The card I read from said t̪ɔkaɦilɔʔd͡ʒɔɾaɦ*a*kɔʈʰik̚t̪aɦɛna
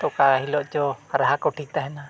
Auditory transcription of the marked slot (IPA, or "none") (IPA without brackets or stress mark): a